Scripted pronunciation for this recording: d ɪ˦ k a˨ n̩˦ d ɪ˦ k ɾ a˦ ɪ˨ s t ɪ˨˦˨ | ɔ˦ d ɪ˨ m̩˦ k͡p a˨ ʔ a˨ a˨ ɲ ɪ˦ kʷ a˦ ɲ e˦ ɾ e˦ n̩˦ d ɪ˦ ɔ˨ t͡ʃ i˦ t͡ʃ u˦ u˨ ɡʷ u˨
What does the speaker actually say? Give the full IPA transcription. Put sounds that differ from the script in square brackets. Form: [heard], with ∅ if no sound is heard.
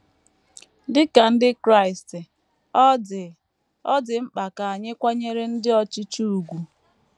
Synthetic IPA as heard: d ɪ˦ k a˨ n̩˦ d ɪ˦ k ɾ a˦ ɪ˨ s t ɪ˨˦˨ | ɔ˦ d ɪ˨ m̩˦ k͡p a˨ [k] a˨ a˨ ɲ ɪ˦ kʷ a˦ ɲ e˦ ɾ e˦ n̩˦ d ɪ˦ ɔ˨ t͡ʃ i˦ t͡ʃ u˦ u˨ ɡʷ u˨